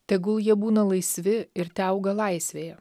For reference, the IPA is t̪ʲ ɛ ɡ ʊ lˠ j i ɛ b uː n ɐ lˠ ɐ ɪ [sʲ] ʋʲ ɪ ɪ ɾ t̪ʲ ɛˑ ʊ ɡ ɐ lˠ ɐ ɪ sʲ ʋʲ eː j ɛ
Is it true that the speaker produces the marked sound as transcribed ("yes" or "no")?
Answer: yes